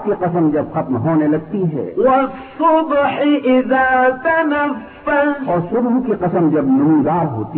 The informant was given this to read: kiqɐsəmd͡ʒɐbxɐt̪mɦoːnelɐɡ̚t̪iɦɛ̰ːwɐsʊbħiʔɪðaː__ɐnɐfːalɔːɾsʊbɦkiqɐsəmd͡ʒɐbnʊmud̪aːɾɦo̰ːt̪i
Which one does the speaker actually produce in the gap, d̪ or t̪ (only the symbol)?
t̪